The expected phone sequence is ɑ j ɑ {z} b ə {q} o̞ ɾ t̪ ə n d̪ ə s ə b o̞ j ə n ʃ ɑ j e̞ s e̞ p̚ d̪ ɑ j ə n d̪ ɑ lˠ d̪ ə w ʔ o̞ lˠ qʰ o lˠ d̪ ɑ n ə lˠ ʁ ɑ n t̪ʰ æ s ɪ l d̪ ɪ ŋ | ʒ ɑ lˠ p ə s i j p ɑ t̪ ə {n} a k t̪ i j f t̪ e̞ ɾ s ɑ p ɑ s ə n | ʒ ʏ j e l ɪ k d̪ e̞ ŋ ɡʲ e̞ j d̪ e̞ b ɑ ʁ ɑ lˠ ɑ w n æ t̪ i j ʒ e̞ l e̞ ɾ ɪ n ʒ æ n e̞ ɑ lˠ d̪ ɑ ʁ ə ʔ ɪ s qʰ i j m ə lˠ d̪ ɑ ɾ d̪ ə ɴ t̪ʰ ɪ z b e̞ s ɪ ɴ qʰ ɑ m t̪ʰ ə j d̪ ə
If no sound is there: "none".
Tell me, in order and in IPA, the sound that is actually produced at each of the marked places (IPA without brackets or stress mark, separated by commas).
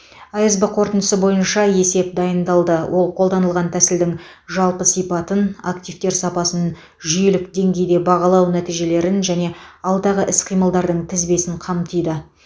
z, qʰ, n